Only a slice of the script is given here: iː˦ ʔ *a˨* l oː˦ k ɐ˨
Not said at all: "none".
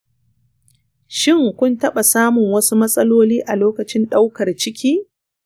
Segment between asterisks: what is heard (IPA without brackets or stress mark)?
a˨